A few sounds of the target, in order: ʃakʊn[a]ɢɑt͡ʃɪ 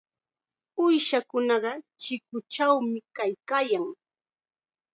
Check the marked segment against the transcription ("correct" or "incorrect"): incorrect